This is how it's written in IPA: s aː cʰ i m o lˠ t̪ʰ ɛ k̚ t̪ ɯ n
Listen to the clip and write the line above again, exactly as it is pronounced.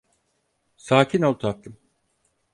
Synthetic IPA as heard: s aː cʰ i n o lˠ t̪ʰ a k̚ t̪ ɯ m